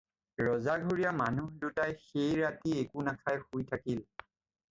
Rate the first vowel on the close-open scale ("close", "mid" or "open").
mid